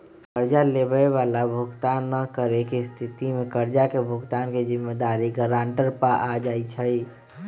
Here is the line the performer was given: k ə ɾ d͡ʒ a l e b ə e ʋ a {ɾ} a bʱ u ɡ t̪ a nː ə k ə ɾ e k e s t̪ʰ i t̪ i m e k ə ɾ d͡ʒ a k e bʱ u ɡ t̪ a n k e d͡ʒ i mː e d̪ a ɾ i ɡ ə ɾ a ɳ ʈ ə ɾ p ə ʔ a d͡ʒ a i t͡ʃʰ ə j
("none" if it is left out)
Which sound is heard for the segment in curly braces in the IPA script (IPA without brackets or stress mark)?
l